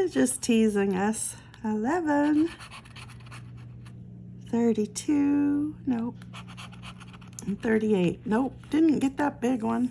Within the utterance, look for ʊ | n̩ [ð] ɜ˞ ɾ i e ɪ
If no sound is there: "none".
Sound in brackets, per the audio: θ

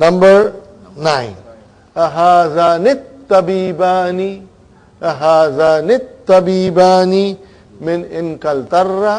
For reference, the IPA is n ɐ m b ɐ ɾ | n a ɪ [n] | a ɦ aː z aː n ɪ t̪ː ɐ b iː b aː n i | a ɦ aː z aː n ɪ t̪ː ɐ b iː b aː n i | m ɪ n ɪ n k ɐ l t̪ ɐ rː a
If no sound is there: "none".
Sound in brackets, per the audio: n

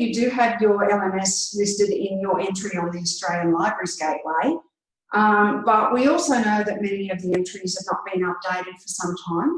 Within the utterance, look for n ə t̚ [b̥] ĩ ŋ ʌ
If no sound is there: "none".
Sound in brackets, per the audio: b̥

